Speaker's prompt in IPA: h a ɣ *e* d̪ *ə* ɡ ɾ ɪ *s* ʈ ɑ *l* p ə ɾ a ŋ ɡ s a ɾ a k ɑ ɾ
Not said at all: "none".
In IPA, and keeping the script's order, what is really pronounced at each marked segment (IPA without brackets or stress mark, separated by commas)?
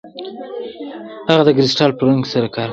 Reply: a, ə, s, l